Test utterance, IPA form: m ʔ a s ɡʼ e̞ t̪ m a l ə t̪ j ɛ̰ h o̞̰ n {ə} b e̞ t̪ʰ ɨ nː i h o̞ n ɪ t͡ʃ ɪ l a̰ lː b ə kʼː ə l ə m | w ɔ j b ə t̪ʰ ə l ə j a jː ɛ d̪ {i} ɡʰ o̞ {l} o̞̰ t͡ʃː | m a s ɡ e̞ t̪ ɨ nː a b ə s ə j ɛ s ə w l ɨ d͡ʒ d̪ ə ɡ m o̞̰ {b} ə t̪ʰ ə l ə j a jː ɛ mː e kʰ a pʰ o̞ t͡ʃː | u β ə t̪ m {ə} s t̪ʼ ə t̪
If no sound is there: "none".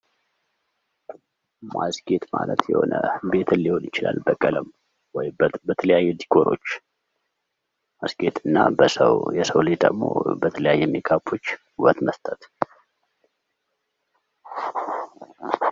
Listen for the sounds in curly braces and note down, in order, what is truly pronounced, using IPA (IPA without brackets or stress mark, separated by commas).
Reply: ə, i, ɾ, b, ə